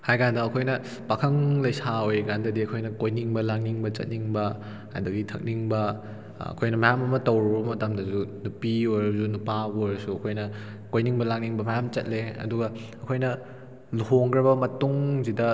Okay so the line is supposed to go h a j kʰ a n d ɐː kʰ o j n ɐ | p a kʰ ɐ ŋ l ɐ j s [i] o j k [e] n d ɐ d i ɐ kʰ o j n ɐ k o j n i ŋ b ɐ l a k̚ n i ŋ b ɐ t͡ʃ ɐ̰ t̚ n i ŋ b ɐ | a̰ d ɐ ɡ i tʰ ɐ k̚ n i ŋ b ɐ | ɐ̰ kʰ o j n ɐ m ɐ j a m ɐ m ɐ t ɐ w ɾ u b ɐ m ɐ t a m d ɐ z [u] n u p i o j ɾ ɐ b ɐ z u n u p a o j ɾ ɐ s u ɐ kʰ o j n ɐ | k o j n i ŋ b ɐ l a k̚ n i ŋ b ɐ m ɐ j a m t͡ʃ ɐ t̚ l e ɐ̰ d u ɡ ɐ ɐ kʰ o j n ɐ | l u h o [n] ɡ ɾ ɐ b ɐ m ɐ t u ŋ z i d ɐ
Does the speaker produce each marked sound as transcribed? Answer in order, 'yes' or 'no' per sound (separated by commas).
no, no, yes, no